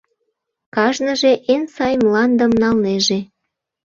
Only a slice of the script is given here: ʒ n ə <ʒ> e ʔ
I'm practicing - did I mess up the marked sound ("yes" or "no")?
no